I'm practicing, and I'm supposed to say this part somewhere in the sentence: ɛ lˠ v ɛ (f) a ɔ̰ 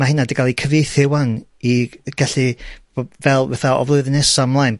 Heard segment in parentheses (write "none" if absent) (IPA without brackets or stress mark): θ